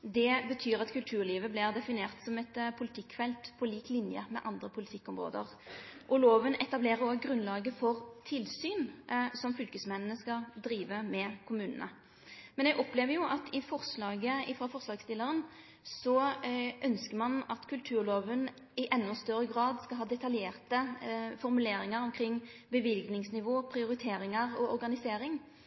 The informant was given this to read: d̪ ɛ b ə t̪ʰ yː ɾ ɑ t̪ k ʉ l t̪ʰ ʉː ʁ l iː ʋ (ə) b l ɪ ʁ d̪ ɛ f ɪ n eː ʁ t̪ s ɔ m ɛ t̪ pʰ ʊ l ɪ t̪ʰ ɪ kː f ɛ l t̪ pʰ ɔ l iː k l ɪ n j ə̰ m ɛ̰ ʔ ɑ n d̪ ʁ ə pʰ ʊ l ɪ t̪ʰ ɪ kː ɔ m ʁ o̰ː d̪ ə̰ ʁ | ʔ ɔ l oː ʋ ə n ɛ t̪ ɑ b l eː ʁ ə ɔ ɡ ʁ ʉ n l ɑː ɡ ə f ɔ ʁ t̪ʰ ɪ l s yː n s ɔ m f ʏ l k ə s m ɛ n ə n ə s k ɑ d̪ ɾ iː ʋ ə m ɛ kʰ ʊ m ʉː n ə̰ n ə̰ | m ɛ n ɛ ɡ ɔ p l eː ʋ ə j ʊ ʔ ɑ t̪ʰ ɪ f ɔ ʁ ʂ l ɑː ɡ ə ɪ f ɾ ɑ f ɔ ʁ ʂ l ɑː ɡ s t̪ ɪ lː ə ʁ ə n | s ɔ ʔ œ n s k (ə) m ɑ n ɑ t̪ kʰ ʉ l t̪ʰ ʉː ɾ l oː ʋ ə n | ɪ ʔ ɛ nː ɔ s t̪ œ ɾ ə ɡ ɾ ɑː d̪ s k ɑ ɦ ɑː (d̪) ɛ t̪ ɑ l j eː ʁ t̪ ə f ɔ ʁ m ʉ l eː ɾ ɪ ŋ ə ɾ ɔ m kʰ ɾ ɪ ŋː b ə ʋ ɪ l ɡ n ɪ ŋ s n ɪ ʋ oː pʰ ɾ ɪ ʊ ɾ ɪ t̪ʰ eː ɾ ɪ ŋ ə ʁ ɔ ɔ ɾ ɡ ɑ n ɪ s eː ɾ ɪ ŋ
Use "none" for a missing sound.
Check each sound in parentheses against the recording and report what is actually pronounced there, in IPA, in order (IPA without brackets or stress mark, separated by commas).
ə, ə, d̪